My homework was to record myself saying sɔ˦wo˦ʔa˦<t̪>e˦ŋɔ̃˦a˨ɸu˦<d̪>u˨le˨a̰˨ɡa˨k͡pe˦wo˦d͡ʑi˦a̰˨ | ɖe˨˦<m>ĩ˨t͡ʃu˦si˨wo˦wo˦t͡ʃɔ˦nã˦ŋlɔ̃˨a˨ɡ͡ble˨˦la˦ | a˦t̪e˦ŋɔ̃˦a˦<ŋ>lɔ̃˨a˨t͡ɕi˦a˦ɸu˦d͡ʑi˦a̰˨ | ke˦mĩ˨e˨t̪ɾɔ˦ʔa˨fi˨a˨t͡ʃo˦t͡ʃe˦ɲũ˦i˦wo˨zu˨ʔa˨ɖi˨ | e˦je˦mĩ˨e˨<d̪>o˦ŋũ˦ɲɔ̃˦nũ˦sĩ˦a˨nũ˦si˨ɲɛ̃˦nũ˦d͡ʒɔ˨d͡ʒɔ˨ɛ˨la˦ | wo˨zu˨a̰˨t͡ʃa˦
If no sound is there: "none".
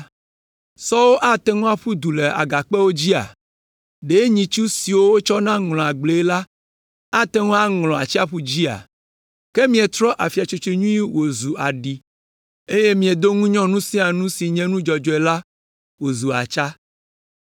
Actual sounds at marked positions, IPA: t̪, d̪, ɲ, ŋ, d̪

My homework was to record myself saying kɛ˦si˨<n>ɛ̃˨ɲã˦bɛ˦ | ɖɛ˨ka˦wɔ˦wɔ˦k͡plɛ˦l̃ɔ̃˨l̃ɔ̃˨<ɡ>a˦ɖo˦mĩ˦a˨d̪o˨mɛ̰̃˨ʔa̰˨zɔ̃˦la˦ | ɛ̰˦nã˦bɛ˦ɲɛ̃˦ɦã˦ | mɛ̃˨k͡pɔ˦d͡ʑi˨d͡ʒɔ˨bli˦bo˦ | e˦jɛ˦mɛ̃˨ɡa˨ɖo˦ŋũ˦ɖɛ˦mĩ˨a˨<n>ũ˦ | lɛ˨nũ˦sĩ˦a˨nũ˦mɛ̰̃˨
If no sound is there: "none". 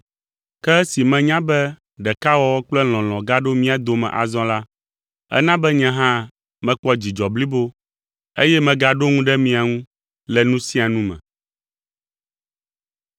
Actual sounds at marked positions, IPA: m, ɡ, ŋ

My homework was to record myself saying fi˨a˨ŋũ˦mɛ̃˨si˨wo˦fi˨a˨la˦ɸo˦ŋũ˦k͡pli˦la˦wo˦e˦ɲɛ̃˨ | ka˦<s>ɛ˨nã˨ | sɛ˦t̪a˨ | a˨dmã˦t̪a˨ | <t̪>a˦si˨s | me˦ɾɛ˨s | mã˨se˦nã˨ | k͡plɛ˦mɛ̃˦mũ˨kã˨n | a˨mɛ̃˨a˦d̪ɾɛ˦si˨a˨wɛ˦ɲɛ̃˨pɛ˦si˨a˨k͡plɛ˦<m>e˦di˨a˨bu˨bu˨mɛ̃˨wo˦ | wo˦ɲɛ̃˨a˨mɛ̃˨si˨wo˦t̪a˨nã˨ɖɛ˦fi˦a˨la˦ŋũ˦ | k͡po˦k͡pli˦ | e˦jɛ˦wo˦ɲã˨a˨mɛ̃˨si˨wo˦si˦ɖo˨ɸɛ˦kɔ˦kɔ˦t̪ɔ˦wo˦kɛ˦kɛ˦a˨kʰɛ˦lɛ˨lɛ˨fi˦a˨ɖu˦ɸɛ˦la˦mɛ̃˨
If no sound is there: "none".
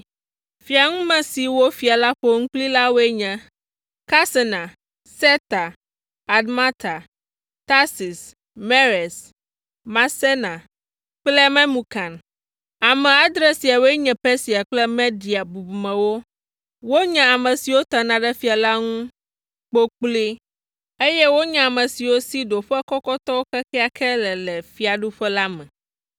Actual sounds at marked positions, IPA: s, t̪, m

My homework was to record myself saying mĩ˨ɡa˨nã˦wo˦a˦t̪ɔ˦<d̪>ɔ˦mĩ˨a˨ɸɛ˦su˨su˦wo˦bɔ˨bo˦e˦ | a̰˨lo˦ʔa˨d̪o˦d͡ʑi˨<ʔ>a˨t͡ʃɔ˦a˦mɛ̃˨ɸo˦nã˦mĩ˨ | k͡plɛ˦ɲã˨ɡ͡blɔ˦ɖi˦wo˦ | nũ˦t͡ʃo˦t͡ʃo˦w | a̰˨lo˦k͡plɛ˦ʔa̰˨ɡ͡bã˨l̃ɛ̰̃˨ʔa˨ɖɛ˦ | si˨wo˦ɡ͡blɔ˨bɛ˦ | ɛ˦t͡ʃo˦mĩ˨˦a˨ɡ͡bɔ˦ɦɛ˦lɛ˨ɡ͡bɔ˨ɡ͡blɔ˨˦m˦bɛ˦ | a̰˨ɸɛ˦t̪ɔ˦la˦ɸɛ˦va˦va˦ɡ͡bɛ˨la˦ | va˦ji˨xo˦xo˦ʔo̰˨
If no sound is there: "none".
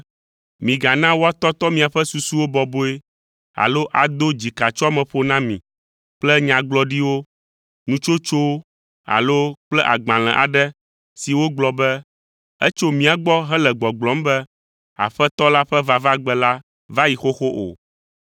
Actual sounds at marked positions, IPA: t̪, k

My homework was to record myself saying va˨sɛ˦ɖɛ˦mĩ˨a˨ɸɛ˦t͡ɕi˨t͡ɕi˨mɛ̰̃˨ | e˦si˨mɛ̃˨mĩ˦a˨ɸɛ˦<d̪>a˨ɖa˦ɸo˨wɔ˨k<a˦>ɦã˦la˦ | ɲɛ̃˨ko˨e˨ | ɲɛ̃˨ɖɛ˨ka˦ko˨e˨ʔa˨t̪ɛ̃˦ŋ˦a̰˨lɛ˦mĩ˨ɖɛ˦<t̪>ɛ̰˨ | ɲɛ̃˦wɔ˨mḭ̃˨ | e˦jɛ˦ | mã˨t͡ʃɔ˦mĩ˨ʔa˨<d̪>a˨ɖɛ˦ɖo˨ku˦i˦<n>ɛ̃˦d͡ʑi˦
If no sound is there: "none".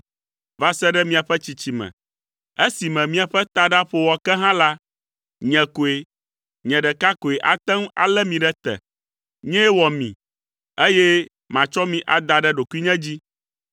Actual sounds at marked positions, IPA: t̪, ɛ˦, t̪, d̪, ɲ

